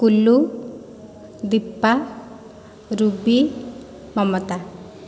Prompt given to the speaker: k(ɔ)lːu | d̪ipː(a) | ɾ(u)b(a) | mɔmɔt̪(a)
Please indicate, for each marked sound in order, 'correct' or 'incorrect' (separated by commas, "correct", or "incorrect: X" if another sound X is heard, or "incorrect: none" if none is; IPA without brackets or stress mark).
incorrect: u, correct, correct, incorrect: i, correct